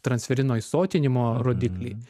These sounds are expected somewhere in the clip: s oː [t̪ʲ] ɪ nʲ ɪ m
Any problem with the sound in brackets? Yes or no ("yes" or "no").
no